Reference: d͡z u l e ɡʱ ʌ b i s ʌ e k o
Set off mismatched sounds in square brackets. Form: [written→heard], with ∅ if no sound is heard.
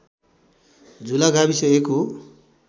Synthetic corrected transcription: d͡z u l [e→a] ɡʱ [ʌ→a] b i s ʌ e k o